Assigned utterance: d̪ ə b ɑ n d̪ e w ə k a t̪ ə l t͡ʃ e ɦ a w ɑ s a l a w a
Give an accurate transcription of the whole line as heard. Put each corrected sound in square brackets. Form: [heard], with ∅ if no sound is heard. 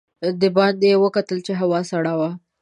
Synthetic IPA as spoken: d̪ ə b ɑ n d̪ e w ə k a t̪ ə l t͡ʃ e ɦ a w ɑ s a [ɽ] a w a